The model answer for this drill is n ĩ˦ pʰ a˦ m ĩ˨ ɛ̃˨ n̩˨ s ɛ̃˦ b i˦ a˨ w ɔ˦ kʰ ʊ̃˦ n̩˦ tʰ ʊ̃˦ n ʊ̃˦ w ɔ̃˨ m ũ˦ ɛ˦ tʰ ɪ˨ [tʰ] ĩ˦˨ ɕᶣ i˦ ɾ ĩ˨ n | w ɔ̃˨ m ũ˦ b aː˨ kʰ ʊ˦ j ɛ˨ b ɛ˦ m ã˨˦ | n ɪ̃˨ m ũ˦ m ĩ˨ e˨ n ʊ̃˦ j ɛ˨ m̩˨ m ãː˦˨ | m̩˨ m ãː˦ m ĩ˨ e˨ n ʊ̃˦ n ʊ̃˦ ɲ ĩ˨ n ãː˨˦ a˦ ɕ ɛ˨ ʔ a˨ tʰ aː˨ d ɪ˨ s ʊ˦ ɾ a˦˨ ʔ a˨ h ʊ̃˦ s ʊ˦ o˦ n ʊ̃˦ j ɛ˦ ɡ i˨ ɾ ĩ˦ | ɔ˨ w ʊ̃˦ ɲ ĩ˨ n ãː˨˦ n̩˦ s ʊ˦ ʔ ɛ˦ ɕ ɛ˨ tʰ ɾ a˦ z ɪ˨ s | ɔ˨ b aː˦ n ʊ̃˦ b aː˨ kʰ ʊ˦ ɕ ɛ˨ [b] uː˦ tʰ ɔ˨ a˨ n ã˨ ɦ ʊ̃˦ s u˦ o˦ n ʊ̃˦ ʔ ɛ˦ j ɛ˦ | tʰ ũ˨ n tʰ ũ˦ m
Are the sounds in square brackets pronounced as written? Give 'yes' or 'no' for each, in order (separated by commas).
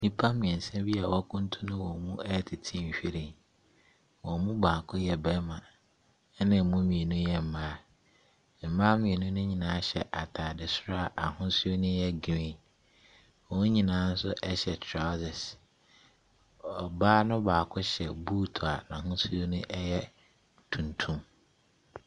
yes, yes